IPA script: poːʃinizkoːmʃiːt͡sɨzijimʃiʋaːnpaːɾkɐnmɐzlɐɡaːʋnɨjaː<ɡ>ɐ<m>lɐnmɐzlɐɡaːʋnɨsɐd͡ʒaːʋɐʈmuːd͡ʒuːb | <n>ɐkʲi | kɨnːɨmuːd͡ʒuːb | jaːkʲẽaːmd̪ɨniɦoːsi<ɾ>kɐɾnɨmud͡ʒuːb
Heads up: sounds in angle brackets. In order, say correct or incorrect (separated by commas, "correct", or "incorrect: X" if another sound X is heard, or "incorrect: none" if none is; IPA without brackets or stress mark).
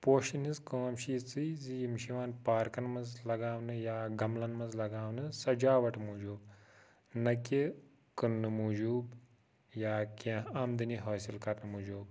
correct, correct, correct, incorrect: l